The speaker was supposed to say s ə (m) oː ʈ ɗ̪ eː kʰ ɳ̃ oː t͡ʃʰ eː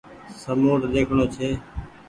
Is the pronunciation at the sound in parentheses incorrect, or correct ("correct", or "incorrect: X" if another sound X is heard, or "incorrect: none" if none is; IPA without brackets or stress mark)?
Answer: correct